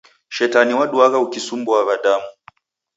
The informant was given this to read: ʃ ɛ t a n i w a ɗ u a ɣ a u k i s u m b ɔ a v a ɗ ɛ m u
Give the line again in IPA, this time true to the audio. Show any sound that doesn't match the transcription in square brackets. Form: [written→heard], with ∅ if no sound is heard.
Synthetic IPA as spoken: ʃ ɛ t a n i w a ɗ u a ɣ a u k i s u m b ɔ a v a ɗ [ɛ→a] m u